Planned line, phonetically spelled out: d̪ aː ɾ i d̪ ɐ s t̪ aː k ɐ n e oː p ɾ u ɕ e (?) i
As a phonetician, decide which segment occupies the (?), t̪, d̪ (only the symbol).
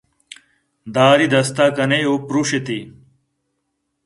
t̪